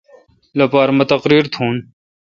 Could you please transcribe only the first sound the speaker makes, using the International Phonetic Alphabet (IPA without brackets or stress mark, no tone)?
l